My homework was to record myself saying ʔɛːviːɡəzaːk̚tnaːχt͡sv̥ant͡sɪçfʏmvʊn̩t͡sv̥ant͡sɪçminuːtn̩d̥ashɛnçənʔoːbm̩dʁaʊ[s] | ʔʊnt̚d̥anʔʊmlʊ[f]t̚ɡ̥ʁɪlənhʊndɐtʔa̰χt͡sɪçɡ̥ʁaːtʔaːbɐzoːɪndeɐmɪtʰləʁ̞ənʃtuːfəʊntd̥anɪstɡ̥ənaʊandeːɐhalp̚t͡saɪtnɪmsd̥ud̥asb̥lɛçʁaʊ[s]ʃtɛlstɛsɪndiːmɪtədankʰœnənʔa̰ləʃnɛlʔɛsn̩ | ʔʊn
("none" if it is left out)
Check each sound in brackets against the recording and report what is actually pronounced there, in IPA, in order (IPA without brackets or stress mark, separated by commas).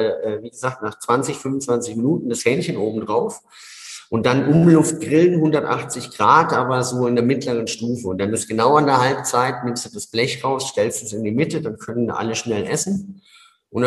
f, f, s